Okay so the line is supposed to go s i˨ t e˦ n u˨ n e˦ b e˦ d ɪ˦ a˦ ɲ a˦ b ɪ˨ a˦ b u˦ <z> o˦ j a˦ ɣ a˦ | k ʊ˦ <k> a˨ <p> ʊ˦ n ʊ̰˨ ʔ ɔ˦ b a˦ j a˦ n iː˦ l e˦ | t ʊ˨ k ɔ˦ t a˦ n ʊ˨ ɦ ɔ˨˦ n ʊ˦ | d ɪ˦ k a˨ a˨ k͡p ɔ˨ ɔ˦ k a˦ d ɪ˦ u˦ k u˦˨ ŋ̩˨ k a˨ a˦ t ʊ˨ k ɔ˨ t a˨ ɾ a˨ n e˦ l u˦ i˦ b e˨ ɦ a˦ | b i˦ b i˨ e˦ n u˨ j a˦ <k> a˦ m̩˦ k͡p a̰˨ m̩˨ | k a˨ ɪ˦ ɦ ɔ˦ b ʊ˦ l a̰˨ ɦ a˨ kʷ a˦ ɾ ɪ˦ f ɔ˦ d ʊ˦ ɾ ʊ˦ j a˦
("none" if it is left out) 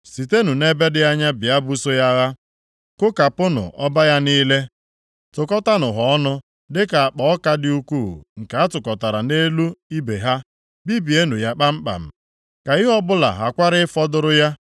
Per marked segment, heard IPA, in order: s, k, p, k͡p

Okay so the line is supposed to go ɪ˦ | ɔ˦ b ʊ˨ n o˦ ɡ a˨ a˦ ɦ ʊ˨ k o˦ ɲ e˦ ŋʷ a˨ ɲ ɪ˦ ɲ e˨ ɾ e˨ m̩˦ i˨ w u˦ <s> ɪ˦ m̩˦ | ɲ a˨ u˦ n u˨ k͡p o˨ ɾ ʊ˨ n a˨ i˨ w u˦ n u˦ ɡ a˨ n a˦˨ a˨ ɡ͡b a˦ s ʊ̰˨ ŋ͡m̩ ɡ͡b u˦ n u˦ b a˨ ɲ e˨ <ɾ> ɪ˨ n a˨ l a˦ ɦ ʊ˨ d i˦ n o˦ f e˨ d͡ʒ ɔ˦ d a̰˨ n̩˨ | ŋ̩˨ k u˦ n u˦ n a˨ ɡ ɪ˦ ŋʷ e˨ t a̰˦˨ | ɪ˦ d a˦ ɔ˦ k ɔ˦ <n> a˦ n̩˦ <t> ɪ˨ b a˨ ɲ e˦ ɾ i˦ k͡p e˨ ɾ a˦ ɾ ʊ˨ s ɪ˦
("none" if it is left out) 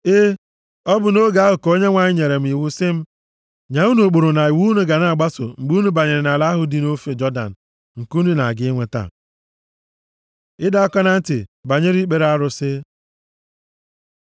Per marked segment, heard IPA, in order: s, ɾ, n, t

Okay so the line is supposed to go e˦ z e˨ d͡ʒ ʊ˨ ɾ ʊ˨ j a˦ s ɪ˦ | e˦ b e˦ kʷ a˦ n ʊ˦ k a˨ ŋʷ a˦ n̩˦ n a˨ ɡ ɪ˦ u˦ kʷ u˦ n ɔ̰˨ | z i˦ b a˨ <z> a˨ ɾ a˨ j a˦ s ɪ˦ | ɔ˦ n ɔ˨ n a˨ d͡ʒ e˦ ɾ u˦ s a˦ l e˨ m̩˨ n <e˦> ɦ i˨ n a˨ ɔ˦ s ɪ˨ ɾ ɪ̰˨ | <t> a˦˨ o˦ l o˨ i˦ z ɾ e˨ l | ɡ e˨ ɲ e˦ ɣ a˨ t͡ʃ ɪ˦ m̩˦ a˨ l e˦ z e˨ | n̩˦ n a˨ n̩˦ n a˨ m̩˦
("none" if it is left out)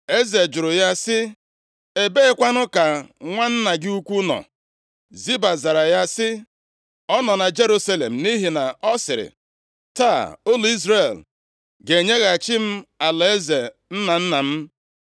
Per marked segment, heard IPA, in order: z, i˦, t

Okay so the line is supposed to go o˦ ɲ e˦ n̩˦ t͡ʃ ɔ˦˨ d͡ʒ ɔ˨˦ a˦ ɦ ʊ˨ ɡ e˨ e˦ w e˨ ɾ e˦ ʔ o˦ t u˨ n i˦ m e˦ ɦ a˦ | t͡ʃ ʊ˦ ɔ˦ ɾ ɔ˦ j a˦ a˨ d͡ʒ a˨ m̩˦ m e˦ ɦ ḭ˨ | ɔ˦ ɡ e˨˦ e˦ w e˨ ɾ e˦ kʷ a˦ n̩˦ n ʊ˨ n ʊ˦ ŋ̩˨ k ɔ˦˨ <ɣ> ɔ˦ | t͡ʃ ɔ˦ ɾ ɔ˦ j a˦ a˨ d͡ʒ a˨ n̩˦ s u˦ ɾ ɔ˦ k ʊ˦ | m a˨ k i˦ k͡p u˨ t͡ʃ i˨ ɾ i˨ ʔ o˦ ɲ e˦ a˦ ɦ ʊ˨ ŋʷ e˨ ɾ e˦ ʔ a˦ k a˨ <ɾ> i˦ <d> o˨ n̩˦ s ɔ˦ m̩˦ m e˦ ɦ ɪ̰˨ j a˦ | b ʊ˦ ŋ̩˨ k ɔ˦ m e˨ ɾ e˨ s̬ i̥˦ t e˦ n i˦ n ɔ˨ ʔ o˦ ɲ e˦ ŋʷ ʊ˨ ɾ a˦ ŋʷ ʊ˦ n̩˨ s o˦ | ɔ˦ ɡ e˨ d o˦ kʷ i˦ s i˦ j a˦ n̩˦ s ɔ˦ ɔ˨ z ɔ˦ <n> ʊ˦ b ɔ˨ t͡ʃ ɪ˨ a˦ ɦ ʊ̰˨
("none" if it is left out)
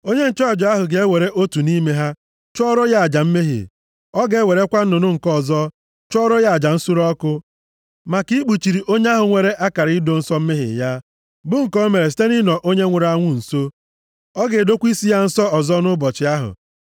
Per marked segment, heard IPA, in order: z, ɾ, d, n

